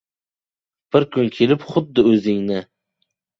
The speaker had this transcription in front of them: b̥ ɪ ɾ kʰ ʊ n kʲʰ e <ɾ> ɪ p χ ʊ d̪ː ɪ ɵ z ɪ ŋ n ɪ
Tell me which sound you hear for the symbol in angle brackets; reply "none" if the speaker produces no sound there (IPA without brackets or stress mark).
l